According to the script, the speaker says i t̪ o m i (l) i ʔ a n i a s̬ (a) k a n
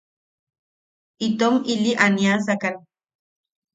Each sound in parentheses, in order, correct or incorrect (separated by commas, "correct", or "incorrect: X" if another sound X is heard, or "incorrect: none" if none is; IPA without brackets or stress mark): correct, correct